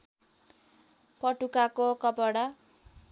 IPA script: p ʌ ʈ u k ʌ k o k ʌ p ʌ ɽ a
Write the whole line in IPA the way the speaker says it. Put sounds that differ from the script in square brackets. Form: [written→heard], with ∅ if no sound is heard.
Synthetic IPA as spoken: p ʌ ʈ u k [ʌ→a] k o k ʌ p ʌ ɽ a